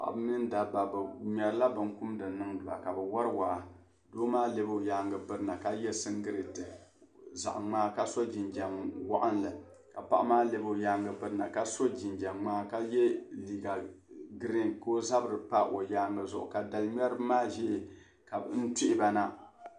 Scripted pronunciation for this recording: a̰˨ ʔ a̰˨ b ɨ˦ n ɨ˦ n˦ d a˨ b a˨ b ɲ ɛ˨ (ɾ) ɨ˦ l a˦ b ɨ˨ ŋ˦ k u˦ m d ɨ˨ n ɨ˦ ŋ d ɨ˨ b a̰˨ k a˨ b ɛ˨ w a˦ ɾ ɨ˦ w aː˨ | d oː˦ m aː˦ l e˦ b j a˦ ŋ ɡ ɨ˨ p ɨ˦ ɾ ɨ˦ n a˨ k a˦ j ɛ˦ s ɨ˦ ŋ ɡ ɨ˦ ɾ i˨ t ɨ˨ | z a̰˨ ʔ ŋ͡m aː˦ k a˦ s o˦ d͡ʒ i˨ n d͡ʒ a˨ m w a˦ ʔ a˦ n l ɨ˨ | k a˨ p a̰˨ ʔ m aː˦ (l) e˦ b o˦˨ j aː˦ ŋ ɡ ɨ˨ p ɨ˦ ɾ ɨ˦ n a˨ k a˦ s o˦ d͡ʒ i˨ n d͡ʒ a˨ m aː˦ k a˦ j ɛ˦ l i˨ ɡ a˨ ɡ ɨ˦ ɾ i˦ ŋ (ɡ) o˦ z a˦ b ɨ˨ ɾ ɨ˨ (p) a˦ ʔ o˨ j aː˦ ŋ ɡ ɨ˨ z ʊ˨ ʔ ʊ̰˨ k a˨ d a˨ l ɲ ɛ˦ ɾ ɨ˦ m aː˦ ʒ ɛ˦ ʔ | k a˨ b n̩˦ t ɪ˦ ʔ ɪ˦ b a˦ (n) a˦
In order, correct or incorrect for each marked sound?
correct, correct, incorrect: k, correct, correct

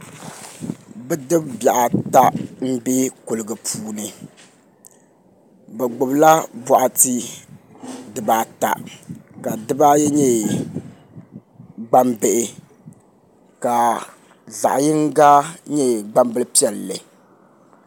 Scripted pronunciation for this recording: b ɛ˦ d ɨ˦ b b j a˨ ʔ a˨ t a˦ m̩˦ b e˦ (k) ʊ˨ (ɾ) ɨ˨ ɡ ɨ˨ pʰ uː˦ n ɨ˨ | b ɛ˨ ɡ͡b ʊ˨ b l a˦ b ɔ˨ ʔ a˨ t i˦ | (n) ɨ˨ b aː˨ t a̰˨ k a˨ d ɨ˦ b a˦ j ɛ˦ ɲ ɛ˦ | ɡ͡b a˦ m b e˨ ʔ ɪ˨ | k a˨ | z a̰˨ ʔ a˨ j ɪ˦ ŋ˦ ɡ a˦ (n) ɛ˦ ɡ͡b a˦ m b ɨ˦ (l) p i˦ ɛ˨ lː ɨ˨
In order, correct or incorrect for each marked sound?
correct, incorrect: l, incorrect: d, incorrect: ɲ, correct

